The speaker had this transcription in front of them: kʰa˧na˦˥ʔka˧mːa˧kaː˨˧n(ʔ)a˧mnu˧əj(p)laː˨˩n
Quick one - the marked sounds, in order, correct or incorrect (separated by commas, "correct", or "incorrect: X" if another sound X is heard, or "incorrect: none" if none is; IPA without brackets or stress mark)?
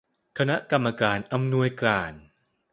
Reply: correct, incorrect: k